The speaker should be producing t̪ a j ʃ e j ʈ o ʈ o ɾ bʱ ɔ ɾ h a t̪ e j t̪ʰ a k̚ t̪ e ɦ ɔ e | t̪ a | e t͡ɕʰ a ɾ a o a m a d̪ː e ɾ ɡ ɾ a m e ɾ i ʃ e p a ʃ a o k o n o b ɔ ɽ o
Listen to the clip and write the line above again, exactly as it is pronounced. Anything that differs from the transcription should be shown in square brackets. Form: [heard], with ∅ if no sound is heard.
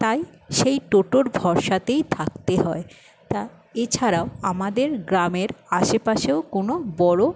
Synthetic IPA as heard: t̪ a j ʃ e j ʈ o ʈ o ɾ bʱ ɔ ɾ [ʃ] a t̪ e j t̪ʰ a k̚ t̪ e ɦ ɔ e | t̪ a | e t͡ɕʰ a ɾ a o a m a [d̪] e ɾ ɡ ɾ a m e ɾ [a] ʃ e p a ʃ [e] o k o n o b ɔ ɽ o